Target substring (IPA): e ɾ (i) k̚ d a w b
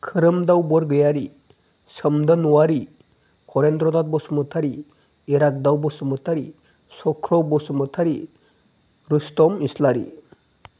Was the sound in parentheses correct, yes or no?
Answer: no